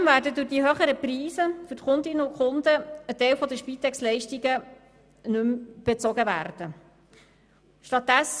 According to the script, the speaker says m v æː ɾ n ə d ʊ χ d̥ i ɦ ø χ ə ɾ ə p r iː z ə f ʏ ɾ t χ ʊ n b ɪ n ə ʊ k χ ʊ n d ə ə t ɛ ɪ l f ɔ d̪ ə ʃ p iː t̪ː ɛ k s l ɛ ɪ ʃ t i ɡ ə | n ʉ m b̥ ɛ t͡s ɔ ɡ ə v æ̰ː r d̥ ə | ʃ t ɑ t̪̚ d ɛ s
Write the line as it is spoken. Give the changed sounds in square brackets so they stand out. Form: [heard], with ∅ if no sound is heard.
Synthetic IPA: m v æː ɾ [d] ə d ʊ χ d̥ i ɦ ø χ ə ɾ ə p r iː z ə f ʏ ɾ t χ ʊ n [d] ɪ n ə ʊ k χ ʊ n d ə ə t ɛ ɪ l f ɔ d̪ ə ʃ p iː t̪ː ɛ k s l ɛ ɪ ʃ t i ɡ ə | n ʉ m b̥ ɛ t͡s ɔ ɡ ə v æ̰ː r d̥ ə | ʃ t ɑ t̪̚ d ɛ s